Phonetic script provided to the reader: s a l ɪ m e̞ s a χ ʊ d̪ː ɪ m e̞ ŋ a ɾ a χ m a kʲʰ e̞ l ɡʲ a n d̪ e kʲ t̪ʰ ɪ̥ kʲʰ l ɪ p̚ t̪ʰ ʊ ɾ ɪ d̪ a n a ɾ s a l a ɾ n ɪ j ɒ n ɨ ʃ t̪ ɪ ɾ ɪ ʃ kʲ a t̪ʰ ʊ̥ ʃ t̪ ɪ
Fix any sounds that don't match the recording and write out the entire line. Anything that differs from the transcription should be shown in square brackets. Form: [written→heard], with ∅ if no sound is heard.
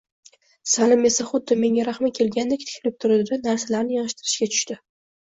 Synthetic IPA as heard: s a l ɪ m e̞ s a χ ʊ d̪ː ɪ m e̞ ŋ a ɾ a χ m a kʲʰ e̞ l ɡʲ a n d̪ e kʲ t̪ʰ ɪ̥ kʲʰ l ɪ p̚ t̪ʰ ʊ ɾ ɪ d̪ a n a ɾ s a l a ɾ n ɪ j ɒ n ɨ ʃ t̪ ɪ ɾ ɪ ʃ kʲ a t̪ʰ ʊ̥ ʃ t̪ ɪ